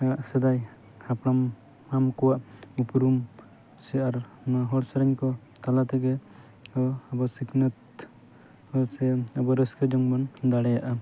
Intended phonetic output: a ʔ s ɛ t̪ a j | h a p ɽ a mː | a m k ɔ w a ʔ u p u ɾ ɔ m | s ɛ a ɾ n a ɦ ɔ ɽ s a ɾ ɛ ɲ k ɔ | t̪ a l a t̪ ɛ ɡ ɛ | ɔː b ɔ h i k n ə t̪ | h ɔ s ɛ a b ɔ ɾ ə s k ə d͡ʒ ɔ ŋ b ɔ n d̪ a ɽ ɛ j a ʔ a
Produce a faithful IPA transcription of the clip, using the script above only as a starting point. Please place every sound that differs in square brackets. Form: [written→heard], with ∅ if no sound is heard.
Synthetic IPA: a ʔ s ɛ [t̪→d̪] a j | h a p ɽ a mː | a m k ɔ w a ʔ u p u ɾ [ɔ→u] m | s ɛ a ɾ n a ɦ ɔ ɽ s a ɾ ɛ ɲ k ɔ | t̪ a l a t̪ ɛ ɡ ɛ | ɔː b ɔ [h→s] i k n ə t̪ | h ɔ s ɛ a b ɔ ɾ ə s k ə d͡ʒ ɔ ŋ b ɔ n d̪ a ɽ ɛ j a ʔ a